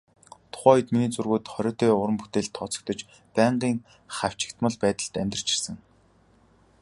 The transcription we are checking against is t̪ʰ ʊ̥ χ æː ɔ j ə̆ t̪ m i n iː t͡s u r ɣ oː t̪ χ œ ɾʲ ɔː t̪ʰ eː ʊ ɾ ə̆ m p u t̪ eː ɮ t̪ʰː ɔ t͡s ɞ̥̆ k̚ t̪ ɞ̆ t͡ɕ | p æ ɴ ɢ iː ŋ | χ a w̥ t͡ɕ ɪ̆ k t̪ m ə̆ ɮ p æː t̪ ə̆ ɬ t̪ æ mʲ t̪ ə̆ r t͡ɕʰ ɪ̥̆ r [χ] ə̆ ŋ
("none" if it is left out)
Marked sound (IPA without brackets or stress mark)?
s